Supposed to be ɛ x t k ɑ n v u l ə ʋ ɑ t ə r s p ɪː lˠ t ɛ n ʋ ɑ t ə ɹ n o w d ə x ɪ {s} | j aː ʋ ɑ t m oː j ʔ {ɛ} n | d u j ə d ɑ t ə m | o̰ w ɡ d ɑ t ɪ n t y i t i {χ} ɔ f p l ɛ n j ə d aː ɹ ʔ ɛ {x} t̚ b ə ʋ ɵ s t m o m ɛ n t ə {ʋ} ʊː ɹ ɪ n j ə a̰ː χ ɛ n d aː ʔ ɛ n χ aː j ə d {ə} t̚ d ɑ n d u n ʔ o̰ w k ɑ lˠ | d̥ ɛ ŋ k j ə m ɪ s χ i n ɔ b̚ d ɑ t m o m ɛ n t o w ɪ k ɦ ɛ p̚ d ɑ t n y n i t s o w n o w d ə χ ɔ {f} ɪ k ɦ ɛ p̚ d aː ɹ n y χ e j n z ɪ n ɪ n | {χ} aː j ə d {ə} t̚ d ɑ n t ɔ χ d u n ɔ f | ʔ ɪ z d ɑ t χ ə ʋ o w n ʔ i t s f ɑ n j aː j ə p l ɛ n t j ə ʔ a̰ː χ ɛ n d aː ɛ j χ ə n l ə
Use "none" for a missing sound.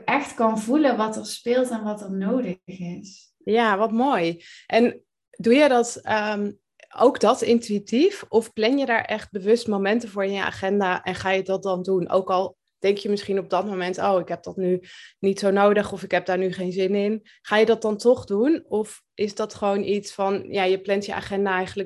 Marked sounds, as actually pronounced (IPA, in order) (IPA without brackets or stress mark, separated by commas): s, ɛ, f, χ, v, ɑ, f, χ, ɑ